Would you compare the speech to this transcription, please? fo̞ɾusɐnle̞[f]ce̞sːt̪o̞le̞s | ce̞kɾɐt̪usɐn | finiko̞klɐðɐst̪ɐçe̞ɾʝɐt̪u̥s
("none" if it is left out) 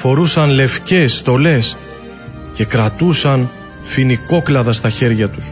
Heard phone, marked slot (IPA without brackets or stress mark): f